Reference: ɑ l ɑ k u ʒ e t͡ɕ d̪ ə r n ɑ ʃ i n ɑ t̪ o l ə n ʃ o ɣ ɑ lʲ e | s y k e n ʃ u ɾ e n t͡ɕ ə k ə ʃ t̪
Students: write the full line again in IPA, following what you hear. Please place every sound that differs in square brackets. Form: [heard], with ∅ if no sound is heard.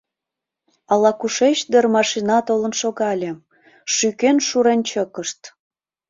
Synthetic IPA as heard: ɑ l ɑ k u [ʃ] e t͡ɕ d̪ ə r [m] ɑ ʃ i n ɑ t̪ o l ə n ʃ o ɣ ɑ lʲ e | [ʃ] y k e n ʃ u ɾ e n t͡ɕ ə k ə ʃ t̪

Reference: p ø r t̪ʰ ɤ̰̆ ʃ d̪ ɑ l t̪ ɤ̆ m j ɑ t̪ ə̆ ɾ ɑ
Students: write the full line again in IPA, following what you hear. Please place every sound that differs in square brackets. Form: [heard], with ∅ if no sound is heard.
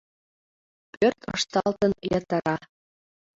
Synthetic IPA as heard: p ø r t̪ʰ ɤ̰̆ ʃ [t̪] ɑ l t̪ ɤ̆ [n] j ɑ t̪ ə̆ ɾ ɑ

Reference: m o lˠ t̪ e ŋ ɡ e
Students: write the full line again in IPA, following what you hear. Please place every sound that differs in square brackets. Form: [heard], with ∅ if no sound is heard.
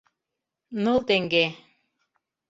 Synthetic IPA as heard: [n] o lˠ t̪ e ŋ ɡ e

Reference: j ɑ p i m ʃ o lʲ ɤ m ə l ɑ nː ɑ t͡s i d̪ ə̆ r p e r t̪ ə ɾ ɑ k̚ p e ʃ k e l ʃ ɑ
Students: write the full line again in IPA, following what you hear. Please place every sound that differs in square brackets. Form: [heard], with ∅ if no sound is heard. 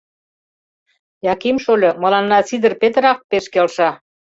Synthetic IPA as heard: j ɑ [k] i m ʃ o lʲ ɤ m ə l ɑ nː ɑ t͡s i d̪ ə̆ r p e [∅] t̪ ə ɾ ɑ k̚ p e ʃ k e l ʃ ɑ

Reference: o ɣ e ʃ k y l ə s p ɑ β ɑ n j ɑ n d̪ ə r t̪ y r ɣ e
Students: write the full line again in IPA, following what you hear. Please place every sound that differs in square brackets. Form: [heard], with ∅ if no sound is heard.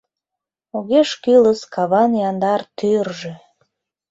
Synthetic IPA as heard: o ɣ e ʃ k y l ə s [k] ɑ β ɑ n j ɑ n d̪ [ɑ] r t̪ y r [ʒ] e

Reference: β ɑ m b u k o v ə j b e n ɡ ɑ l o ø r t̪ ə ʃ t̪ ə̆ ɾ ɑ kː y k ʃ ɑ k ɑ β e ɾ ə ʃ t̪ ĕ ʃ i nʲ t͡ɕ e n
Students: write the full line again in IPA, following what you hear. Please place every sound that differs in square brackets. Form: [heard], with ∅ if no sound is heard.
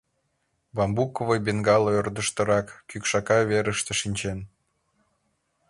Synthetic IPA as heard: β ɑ m b u k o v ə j b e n ɡ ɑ l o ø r [d̪] ə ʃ t̪ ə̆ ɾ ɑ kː y k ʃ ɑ k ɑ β e ɾ ə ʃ t̪ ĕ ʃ i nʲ t͡ɕ e n

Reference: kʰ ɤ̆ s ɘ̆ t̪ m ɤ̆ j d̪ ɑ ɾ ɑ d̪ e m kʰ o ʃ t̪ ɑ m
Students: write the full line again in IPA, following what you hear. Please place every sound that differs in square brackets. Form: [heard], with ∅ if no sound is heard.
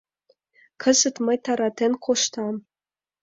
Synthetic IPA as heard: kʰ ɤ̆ [z] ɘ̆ t̪ m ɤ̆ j [t̪] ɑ ɾ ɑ [t̪] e [n] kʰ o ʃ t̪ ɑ m

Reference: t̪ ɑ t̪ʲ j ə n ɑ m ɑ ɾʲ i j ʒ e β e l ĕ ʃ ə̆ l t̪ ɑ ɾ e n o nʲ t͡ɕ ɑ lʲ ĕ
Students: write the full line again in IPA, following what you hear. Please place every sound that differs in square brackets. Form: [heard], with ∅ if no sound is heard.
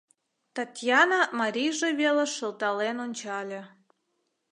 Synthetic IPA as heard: t̪ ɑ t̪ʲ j [ɑ] n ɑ m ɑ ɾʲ i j ʒ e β e l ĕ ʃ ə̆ l t̪ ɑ [l] e n o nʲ t͡ɕ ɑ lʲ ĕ

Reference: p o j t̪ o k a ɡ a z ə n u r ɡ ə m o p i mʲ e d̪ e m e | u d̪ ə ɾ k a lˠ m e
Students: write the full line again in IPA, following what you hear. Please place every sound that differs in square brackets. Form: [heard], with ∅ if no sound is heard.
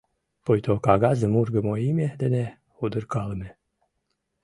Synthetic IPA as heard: p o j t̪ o k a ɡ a z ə [m] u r ɡ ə m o [∅] i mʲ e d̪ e [n] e | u d̪ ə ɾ k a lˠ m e

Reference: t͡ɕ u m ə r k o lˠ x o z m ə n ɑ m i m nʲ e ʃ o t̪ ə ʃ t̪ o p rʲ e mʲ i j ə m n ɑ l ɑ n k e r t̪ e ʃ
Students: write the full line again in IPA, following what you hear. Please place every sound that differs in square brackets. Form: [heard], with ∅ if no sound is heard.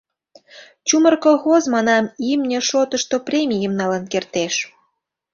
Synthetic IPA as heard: t͡ɕ u m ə r k o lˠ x o z m [ɑ] n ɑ m i m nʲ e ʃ o t̪ ə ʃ t̪ o p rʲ e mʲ i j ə m n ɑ l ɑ n k e r t̪ e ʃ

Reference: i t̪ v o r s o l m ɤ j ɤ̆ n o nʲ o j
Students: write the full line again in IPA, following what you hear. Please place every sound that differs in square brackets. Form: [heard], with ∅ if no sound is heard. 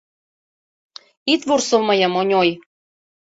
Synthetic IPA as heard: i t̪ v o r s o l m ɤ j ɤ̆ [m] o nʲ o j

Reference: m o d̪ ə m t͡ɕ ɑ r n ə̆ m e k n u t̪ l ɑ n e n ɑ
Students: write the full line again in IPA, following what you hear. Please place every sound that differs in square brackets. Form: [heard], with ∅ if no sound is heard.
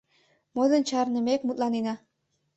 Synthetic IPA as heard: m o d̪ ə [n] t͡ɕ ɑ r n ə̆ m e k [m] u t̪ l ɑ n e n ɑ

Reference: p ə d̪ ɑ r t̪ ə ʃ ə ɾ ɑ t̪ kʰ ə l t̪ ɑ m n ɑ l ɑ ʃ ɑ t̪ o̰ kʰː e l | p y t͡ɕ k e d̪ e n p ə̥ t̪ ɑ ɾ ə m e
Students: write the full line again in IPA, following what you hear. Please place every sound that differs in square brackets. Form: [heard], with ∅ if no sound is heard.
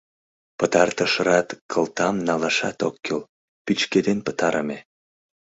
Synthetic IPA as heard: p ə [t̪] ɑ r t̪ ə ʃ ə ɾ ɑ t̪ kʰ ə l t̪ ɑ m n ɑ l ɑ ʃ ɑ t̪ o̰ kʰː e l | p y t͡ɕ k e d̪ e n p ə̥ t̪ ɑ ɾ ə m e

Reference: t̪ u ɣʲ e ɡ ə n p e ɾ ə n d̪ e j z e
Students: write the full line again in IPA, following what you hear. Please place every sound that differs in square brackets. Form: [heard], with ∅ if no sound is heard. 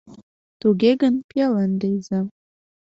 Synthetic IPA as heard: t̪ u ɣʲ e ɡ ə n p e [l] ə n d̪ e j z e

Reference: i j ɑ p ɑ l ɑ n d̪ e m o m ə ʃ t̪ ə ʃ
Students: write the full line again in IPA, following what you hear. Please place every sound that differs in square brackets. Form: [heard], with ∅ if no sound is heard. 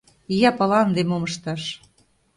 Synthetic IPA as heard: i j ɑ p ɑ l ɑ n d̪ e m o m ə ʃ t̪ [ɑ] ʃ

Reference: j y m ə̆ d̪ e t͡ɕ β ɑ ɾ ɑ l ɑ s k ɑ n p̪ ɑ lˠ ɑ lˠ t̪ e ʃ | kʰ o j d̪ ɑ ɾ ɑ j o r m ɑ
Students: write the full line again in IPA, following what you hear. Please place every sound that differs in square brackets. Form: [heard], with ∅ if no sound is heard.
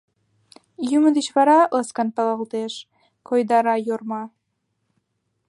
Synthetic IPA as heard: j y m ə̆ d̪ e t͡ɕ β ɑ ɾ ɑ l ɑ s k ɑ n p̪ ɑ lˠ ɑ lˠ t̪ e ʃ | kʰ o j d̪ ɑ ɾ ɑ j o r m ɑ

